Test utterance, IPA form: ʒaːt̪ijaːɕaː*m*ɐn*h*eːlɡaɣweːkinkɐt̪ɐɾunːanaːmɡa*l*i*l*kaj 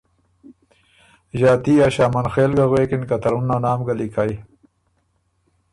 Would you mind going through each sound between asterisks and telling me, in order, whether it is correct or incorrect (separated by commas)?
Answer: correct, incorrect, correct, incorrect